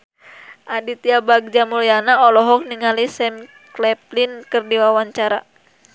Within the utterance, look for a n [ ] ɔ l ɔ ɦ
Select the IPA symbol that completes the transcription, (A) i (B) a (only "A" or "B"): B